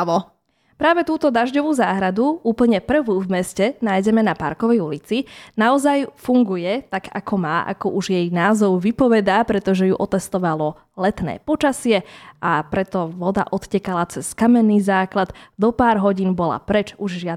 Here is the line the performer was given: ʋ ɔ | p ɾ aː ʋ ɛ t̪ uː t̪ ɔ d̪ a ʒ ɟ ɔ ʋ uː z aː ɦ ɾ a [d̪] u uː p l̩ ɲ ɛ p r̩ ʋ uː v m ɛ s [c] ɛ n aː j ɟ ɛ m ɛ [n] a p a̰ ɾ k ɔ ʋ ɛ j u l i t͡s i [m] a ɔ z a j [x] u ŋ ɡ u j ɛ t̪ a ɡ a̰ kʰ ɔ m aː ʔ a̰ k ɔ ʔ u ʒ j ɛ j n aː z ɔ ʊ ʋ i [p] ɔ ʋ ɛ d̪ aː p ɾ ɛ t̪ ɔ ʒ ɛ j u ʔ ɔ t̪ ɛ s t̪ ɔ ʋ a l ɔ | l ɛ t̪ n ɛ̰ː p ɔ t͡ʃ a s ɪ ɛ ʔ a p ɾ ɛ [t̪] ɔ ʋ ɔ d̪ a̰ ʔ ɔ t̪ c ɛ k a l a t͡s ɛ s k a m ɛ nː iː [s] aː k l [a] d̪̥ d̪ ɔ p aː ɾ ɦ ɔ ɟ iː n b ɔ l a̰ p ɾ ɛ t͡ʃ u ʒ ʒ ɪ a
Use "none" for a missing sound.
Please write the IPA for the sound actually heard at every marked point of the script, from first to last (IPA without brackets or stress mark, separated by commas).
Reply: d̪, c, n, n, f, p, t̪, z, a